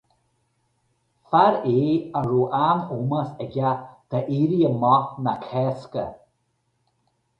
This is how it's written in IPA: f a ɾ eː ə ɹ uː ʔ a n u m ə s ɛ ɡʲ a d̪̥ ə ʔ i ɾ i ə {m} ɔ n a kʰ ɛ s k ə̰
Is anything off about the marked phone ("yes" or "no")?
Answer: no